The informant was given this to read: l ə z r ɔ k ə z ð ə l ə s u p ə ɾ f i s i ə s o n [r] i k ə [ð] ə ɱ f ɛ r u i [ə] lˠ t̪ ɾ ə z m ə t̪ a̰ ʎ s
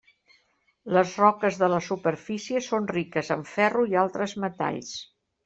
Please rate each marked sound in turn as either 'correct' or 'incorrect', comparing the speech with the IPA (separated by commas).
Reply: correct, incorrect, incorrect